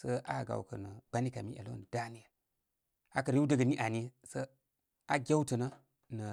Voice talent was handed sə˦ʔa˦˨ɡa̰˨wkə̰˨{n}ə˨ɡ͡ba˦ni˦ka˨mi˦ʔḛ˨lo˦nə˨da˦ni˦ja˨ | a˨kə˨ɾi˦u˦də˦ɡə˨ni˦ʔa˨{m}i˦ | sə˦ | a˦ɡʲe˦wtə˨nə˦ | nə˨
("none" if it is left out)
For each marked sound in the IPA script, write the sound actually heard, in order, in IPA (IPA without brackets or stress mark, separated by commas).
n, n